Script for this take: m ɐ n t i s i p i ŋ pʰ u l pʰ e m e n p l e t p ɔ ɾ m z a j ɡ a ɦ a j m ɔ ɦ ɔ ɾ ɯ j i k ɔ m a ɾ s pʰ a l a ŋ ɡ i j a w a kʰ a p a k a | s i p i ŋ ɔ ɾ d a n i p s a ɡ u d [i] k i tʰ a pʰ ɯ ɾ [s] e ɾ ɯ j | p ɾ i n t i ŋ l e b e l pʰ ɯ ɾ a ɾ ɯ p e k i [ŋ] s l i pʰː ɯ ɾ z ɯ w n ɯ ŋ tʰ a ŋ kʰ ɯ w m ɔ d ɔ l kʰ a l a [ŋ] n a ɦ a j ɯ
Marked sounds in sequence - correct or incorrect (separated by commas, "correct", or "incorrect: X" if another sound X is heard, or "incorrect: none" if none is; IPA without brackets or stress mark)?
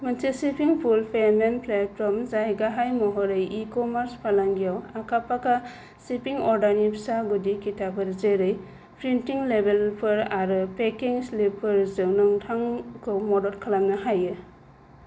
correct, incorrect: z, correct, incorrect: m